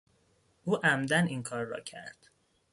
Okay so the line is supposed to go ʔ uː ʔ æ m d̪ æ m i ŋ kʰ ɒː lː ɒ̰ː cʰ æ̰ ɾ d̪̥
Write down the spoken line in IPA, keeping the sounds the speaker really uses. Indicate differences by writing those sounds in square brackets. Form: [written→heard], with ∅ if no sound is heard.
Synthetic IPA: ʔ uː ʔ æ m d̪ æ [m→n] i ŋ kʰ ɒː [lː→ɾː] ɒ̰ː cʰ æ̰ ɾ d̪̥